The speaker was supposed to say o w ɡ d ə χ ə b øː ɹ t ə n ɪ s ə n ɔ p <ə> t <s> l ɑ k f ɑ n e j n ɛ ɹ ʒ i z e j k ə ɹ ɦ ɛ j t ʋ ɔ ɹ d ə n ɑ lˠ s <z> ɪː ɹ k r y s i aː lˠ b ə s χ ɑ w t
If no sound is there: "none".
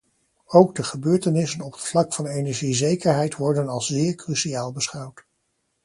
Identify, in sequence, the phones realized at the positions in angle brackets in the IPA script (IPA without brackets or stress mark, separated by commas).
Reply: ə, f, z